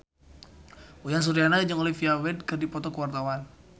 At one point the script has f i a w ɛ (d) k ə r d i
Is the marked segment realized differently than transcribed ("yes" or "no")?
no